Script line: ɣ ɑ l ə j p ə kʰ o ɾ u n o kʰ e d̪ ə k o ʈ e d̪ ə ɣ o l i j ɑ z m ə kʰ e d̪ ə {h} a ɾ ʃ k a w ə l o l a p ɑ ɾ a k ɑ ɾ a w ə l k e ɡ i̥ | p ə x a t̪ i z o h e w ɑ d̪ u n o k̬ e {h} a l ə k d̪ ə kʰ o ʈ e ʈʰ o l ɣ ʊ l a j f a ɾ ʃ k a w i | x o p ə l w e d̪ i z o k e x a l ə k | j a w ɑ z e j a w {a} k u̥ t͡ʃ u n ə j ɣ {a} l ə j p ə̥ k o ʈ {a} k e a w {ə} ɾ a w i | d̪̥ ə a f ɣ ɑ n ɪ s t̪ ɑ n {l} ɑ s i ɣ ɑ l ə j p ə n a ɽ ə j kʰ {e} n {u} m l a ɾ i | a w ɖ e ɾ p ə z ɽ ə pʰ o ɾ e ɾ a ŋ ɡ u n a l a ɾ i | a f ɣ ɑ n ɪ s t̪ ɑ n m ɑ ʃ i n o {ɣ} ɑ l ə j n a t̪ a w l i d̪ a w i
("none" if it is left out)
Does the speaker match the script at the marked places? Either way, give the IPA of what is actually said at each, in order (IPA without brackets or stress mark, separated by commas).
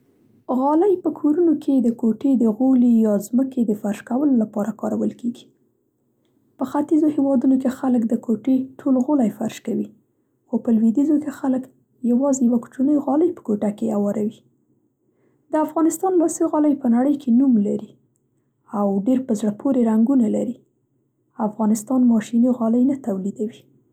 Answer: f, x, a, ɑ, a, ɑ, l, e, u, ɣ